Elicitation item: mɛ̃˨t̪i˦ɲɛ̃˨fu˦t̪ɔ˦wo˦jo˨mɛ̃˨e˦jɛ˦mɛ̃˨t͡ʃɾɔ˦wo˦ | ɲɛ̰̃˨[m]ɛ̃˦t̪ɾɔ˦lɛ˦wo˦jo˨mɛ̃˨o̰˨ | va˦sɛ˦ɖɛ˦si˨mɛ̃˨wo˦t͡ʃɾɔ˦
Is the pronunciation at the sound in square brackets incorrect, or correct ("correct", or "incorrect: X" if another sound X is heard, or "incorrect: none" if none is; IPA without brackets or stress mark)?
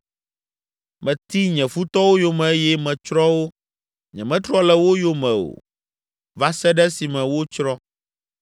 correct